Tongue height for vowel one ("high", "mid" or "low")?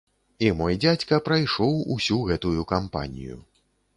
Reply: high